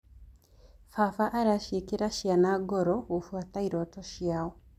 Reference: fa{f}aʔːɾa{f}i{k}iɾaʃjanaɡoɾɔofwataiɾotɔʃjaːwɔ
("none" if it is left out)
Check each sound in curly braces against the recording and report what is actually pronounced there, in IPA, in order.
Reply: f, ʃ, k

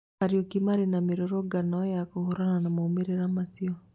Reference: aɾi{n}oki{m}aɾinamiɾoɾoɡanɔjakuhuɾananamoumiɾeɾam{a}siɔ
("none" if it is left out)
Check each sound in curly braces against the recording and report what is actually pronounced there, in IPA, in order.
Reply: none, m, a

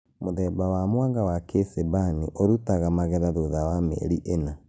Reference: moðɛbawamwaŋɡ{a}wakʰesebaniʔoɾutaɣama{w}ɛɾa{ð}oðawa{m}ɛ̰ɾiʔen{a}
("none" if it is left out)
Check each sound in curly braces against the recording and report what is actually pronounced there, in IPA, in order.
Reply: a, ɣ, ð, m, a

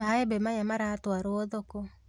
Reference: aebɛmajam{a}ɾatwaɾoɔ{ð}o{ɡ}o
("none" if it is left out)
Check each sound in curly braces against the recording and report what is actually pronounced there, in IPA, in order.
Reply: a, ð, k

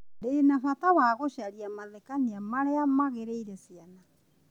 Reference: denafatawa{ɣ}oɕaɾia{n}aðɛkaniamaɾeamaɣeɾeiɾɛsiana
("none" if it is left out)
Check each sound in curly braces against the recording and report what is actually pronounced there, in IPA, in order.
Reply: ɣ, m

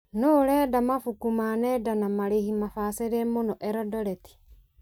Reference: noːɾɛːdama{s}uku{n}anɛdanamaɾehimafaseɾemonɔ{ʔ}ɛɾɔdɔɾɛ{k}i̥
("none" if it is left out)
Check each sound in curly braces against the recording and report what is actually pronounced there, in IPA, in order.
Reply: f, m, ʔ, t

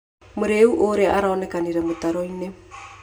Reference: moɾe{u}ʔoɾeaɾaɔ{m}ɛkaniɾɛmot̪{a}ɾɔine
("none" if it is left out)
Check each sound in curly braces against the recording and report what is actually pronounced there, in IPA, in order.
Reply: u, n, a

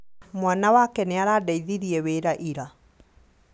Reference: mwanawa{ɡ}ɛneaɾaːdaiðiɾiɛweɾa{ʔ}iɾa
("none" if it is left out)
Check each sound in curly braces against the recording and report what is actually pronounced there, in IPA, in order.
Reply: k, ʔ

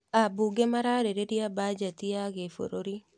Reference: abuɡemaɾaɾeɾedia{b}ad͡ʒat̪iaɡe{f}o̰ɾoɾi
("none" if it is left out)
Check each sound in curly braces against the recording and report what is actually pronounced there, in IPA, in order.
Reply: b, f

